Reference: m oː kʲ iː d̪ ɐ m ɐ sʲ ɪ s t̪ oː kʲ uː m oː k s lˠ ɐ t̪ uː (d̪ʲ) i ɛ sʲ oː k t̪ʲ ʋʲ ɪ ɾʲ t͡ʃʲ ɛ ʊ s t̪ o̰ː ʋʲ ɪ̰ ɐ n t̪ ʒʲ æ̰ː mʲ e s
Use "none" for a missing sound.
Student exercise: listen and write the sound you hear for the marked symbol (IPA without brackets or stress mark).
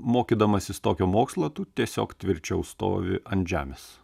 t̪ʲ